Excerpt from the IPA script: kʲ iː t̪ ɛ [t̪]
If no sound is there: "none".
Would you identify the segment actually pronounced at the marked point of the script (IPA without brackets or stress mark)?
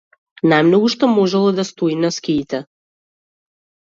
none